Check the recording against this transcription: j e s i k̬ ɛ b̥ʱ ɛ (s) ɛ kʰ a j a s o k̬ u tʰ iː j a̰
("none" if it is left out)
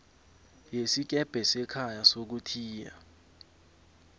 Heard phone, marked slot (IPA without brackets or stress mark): s